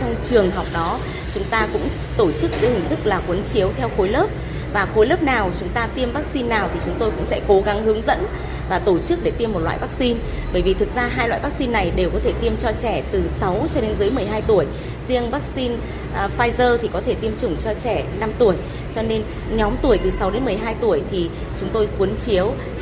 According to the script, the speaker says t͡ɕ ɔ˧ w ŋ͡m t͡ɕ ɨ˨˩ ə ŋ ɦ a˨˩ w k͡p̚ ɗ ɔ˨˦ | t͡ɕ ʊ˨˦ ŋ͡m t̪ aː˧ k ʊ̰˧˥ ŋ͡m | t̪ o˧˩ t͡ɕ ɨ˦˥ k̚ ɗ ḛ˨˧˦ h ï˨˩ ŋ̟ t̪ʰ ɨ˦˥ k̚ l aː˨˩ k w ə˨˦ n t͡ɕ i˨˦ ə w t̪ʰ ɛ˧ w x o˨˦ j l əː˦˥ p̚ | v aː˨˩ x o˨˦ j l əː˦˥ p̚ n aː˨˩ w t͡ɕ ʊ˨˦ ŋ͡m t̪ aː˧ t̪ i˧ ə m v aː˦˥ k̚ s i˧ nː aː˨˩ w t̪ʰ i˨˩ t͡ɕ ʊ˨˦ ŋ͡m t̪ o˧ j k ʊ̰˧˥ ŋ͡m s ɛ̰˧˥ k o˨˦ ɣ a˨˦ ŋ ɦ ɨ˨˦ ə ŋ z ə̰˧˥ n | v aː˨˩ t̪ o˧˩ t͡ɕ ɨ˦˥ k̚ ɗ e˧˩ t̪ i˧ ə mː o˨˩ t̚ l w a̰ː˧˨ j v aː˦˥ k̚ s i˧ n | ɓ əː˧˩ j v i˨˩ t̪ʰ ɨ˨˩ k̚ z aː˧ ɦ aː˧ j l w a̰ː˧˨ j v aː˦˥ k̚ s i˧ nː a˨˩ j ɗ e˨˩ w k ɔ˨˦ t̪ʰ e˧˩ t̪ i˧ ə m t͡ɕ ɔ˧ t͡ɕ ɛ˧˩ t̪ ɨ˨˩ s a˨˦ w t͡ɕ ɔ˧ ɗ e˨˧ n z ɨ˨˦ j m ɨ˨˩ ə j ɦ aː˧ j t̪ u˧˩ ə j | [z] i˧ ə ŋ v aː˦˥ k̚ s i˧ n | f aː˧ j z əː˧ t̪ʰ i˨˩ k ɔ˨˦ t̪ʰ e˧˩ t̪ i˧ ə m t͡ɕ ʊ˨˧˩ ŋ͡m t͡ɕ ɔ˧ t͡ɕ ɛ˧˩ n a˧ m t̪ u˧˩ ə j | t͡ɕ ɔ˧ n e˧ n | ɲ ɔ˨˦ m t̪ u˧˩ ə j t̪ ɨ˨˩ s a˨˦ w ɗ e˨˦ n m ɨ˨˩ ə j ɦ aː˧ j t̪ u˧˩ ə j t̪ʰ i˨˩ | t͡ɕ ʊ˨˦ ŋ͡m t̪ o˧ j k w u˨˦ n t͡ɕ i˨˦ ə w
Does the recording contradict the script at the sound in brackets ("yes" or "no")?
no